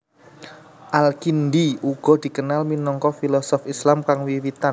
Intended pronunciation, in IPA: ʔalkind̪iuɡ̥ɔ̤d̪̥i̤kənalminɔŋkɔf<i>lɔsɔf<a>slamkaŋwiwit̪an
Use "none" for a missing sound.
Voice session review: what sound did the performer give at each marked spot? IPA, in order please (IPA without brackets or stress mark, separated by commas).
i, i